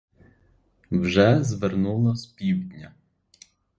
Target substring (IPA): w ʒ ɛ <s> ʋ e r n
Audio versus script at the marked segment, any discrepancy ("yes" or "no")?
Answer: yes